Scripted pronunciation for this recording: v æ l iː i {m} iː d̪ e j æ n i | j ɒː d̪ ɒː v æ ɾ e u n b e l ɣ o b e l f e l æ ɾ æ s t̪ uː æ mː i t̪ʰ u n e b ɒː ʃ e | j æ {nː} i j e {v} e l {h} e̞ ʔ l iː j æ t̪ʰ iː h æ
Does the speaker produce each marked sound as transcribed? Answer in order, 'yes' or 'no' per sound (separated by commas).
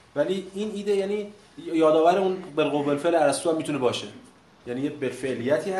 no, no, no, no